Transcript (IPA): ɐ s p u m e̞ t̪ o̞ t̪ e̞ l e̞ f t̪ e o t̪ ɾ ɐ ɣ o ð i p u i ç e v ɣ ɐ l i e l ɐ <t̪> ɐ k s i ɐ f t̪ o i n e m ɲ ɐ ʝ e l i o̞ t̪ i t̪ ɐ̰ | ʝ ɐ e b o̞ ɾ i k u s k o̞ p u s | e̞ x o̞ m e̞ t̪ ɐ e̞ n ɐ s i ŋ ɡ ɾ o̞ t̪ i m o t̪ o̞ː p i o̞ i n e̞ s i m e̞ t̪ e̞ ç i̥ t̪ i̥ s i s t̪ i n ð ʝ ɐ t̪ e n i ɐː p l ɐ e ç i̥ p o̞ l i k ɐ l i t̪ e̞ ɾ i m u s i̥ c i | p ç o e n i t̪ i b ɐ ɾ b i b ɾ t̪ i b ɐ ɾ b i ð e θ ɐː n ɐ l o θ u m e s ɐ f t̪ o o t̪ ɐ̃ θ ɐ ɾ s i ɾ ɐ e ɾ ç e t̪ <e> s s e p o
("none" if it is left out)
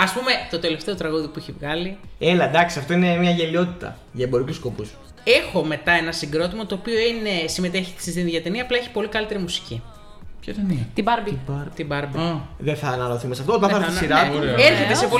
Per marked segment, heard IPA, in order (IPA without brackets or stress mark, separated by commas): d̪, e